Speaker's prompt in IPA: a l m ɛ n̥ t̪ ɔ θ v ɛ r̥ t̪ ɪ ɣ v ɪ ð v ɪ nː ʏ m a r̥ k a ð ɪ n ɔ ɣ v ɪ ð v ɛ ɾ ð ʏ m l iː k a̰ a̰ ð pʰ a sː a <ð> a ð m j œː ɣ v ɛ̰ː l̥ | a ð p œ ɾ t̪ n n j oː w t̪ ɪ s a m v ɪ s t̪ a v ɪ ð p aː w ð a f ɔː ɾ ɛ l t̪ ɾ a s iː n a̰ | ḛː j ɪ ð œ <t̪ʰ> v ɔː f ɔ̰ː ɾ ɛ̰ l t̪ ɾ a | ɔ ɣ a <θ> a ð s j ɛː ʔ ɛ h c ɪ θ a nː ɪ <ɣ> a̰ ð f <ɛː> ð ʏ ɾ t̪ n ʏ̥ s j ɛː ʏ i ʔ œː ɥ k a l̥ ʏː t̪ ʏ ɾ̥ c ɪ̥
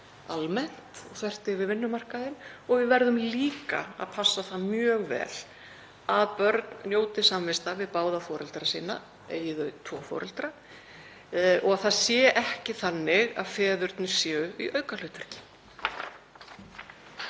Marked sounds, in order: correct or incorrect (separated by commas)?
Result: incorrect, correct, correct, correct, correct